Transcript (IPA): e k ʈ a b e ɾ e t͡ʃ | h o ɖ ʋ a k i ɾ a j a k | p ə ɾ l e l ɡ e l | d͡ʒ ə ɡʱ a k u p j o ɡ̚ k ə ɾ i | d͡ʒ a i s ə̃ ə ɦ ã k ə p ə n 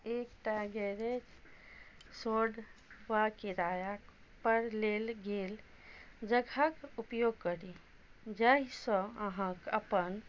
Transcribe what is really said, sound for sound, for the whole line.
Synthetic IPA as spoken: e k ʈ a ɡ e ɾ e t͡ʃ | s o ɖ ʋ a k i ɾ a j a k | p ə ɾ l e l ɡ e l | d͡ʒ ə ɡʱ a k u p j o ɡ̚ k ə ɾ i | d͡ʒ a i s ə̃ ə ɦ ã k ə p ə n